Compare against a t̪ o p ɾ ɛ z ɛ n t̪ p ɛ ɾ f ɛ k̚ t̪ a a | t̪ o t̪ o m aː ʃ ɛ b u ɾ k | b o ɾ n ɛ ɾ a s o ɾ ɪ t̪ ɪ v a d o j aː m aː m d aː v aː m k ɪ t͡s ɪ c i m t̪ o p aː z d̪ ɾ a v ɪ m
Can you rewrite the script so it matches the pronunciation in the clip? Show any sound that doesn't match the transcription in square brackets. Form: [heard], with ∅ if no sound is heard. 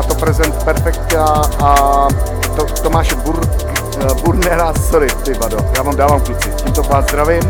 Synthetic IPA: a t̪ o p ɾ ɛ z ɛ n t̪ p ɛ ɾ f ɛ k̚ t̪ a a | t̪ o t̪ o m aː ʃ ɛ b u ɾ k | b [u] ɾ n ɛ ɾ a s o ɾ ɪ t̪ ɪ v a d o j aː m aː m d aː v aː m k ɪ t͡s ɪ c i m t̪ o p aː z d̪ ɾ a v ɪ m